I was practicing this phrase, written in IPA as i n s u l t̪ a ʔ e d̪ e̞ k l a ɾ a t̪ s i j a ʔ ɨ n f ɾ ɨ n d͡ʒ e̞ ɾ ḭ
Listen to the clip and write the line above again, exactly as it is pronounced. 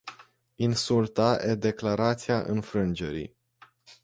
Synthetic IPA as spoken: i n s u l t̪ a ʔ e d̪ e̞ k l a ɾ a t̪ s i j a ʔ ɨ n f ɾ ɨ n d͡ʒ e̞ ɾ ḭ